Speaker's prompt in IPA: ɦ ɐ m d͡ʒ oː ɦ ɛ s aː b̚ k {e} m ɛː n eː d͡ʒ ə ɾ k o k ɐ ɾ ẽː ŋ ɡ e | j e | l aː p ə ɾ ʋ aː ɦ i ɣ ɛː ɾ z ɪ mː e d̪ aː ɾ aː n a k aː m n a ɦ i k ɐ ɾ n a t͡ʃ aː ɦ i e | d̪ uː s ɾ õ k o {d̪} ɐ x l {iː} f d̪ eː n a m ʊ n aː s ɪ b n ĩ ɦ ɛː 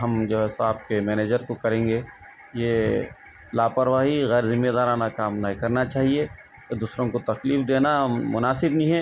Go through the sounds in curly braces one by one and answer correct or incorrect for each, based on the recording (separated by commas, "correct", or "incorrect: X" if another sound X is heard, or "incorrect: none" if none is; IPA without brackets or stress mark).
correct, incorrect: t̪, correct